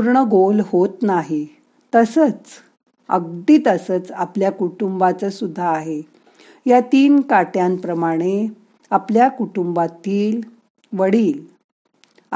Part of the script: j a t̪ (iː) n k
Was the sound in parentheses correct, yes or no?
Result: yes